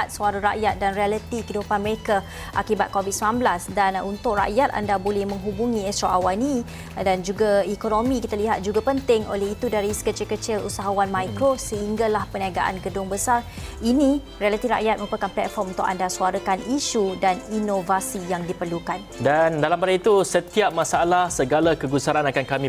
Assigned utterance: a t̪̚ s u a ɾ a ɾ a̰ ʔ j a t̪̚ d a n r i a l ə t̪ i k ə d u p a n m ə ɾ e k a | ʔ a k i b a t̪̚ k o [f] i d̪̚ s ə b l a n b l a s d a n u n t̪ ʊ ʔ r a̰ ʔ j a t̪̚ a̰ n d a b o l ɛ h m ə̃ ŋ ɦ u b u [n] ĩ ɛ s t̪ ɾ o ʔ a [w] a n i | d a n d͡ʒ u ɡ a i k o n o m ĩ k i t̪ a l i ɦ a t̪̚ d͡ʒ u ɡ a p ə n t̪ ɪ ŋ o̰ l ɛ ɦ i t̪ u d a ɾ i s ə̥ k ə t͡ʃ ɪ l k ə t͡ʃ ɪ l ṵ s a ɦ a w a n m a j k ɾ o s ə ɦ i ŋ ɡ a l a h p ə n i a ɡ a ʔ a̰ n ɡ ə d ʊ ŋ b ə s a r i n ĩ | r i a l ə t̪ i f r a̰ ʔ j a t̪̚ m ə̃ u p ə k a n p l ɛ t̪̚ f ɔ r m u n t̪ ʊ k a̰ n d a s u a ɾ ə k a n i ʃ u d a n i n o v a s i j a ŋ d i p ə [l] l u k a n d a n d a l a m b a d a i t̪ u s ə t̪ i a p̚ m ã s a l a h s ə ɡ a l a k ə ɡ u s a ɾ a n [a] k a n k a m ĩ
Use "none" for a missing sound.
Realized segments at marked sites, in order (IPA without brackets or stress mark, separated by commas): v, ŋ, w, r, a